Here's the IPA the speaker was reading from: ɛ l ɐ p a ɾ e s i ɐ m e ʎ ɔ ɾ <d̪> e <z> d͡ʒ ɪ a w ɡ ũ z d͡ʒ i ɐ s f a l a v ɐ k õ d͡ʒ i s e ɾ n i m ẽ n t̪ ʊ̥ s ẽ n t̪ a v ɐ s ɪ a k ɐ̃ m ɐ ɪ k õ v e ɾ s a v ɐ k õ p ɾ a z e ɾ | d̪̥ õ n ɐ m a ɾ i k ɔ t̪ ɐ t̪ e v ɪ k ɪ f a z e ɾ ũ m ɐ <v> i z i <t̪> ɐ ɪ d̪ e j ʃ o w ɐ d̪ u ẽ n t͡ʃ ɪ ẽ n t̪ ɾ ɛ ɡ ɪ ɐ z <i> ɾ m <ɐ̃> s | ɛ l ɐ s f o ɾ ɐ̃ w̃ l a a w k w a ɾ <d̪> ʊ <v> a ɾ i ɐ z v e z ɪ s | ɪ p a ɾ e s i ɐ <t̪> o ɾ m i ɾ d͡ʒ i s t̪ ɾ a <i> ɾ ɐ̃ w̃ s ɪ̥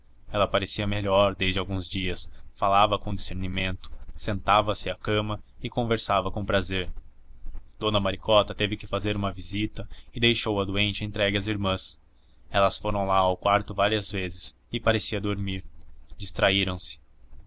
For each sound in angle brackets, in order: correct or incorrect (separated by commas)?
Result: correct, correct, correct, correct, correct, correct, incorrect, correct, incorrect, correct